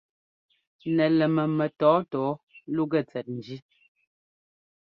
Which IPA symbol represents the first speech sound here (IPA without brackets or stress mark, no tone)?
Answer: n